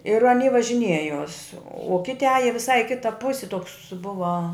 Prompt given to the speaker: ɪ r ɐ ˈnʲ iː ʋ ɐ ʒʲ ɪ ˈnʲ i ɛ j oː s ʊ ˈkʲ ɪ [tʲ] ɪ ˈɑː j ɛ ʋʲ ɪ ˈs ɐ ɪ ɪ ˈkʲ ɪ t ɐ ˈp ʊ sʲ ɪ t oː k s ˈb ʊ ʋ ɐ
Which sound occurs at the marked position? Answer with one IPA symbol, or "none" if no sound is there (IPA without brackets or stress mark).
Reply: tʲ